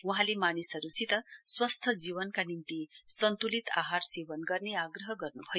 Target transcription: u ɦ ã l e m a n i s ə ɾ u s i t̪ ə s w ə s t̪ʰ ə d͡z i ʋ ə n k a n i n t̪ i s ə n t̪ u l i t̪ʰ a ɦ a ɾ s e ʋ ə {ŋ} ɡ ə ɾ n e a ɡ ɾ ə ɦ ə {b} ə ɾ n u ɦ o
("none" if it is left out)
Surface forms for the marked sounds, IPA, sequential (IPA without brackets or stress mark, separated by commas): n, ɡ